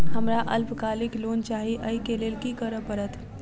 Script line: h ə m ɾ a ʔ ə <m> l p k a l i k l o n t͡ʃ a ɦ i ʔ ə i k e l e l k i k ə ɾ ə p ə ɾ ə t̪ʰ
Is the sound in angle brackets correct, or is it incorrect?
incorrect